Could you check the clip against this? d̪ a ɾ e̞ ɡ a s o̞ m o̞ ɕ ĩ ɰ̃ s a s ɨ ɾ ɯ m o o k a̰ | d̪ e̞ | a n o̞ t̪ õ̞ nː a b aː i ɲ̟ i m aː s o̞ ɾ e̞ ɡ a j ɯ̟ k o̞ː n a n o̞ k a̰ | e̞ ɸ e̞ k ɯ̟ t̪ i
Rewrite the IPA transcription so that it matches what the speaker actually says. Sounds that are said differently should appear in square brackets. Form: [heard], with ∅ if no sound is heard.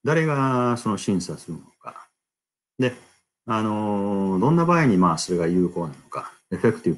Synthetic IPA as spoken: d̪ a ɾ e̞ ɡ a s o̞ [n] o̞ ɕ ĩ ɰ̃ s a s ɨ ɾ ɯ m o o k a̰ | d̪ e̞ | a n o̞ [d̪] õ̞ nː a b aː i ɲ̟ i m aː s o̞ ɾ e̞ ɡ a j [ɯ̟ː] k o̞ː n a n o̞ k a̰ | e̞ ɸ e̞ k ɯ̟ t̪ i